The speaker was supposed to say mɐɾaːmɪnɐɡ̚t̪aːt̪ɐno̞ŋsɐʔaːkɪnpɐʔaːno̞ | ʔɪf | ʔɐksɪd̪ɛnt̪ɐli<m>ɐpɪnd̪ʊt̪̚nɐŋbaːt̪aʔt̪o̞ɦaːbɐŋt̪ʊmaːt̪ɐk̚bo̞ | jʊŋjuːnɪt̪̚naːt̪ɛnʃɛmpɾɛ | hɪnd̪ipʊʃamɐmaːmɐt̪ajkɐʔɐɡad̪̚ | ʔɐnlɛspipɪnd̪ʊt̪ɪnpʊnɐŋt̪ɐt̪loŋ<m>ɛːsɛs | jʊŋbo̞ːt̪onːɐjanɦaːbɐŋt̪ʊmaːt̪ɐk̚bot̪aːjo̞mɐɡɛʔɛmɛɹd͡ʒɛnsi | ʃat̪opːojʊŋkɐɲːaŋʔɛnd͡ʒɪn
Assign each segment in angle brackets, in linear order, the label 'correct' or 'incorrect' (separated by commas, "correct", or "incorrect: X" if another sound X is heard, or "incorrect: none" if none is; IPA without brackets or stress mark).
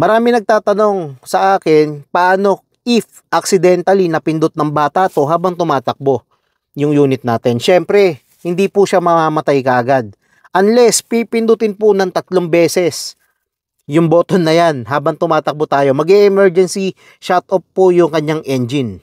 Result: incorrect: n, incorrect: b